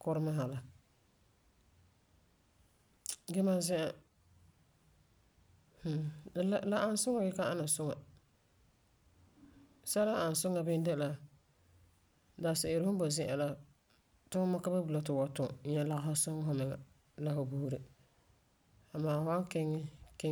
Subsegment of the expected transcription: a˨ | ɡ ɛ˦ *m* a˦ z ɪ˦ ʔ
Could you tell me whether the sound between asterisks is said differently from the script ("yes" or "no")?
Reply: no